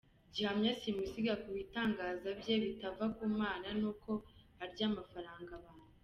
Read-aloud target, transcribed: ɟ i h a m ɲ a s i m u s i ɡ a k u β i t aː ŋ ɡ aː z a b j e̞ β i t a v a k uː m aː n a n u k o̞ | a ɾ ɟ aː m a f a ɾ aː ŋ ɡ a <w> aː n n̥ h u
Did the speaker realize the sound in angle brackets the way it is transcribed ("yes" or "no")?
no